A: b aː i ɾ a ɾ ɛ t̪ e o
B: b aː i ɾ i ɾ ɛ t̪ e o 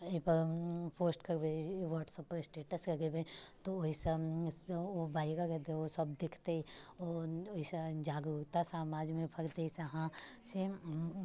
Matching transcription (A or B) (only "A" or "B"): A